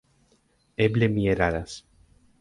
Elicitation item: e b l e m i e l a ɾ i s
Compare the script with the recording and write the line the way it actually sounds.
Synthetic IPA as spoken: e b l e m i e ɾ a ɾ a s

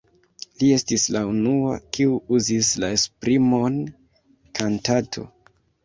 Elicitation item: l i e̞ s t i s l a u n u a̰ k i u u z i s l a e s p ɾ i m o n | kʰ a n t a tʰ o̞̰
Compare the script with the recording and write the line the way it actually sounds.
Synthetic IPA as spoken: l i e̞ s t i s l a u n u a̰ k i u u z i s l a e s p ɾ i m o n | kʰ a n t a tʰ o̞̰

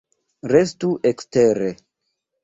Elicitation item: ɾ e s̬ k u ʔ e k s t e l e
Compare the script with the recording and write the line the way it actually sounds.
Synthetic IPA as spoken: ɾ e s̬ t u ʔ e k s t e ɾ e

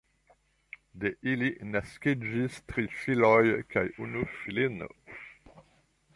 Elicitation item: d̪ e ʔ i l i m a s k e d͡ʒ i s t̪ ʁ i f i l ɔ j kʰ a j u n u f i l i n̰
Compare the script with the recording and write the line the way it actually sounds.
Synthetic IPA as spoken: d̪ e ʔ i l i n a s k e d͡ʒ i s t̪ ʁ i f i l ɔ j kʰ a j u n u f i l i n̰

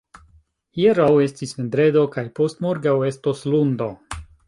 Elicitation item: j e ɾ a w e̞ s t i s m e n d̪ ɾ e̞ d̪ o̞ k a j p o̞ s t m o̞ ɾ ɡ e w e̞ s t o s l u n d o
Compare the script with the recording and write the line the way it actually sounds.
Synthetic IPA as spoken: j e ɾ a w e̞ s t i s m e n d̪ ɾ e̞ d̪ o̞ k a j p o̞ s t m o̞ ɾ ɡ a w e̞ s t o s l u n d o

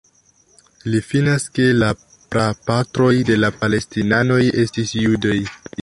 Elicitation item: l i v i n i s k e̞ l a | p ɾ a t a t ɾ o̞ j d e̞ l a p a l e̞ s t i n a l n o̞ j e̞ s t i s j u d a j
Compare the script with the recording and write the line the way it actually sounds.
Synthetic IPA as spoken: l i f i n a s k e̞ l a | p ɾ a p a t ɾ o̞ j d e̞ l a p a l e̞ s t i n a n o̞ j e̞ s t i s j u d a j

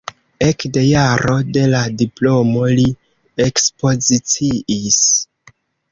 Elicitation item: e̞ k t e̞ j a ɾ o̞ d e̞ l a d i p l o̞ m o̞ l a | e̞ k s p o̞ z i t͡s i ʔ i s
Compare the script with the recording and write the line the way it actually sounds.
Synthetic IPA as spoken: e̞ k d e̞ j a ɾ o̞ d e̞ l a d i p l o̞ m o̞ l i | e̞ k s p o̞ z i t͡s i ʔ i s

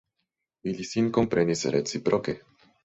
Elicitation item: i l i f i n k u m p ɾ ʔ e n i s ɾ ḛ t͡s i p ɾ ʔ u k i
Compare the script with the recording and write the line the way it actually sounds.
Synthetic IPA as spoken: i l i s i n k o m p ɾ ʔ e n i s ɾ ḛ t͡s i p ɾ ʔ o k e

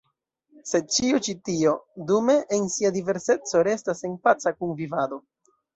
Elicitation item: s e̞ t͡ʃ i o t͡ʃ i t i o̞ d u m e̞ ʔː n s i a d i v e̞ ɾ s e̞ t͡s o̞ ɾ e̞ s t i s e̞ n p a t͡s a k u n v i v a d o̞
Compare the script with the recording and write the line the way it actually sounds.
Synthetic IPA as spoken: s e̞ t͡ʃ i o t͡ʃ i t i o̞ d u m e̞ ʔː n s i a d i v e̞ ɾ s e̞ t͡s o̞ ɾ e̞ s t a s e̞ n p a t͡s a k u n v i v a d o̞

